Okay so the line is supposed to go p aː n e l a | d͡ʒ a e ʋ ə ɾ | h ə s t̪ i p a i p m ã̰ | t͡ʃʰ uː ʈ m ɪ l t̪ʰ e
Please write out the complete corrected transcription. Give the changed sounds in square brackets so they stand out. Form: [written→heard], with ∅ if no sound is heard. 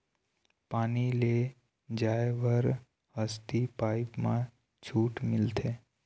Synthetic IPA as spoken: p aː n [e→i] l [a→e] | d͡ʒ a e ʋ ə ɾ | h ə s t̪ i p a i p m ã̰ | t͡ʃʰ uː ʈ m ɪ l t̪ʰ e

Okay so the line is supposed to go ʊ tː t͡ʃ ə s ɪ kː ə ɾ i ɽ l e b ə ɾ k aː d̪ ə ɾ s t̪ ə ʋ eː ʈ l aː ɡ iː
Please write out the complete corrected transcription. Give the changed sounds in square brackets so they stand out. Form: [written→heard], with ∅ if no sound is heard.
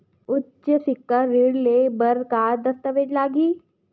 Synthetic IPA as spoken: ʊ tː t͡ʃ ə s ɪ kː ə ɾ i ɽ l e b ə ɾ k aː d̪ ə [ɾ→∅] s t̪ ə ʋ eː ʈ l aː ɡ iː

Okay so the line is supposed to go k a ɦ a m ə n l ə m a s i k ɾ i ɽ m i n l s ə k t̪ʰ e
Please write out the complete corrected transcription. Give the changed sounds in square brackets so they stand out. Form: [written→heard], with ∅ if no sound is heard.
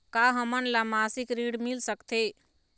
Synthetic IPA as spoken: k a ɦ [a→ə] m ə n l [ə→a] m a s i k ɾ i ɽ m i [n→∅] l s ə k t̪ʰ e

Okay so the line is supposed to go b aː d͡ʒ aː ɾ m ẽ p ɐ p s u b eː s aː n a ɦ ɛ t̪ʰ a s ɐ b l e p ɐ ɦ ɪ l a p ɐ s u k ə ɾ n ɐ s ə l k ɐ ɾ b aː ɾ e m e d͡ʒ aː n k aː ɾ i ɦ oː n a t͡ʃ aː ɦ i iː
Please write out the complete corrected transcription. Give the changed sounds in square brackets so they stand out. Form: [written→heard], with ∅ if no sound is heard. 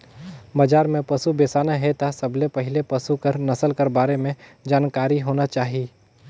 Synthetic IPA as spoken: b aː d͡ʒ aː ɾ m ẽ p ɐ [p→∅] s u b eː s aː n a ɦ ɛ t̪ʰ a s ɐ b l e p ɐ ɦ ɪ l [a→e] p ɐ s u k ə ɾ n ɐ s ə l k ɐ ɾ b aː ɾ e m [e→ẽ] d͡ʒ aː n k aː ɾ i ɦ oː n a t͡ʃ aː ɦ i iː

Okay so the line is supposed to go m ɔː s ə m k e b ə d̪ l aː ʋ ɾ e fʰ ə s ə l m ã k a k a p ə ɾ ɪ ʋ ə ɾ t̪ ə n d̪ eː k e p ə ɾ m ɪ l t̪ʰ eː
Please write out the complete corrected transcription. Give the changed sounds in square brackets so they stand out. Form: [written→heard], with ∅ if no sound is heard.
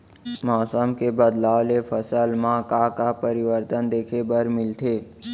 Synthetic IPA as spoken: m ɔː s ə m k e b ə d̪ l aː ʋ [ɾ→l] e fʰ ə s ə l m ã k a k a p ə ɾ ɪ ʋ ə ɾ t̪ ə n d̪ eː [k→kʰ] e [p→b] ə ɾ m ɪ l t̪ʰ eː

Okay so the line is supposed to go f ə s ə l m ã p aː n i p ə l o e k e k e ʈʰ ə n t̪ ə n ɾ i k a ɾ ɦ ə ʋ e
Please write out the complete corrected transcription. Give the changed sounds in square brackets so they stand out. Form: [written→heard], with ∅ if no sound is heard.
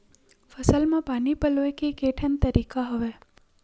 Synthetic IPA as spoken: f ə s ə l m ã p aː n i p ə l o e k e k e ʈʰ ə n t̪ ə [n→∅] ɾ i k a [ɾ→∅] ɦ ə ʋ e

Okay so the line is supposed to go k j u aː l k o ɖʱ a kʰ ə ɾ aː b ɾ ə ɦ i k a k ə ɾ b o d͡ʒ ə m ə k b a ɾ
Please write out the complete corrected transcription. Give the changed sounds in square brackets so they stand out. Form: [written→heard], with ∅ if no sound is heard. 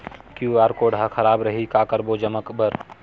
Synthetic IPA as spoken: k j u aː [l→ɾ] k o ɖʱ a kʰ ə ɾ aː b ɾ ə ɦ i k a k ə ɾ b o d͡ʒ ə m ə k b [a→ə] ɾ

